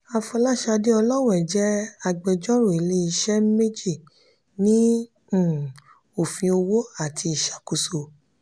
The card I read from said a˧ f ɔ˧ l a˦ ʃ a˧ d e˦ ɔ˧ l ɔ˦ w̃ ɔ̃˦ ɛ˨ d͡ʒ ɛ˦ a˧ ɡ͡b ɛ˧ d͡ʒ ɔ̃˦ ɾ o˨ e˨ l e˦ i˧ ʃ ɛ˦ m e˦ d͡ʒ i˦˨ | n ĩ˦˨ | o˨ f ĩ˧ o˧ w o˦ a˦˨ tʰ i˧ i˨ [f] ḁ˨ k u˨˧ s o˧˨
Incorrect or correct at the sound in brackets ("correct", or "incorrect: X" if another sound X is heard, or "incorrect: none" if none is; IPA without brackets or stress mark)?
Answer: incorrect: ʃ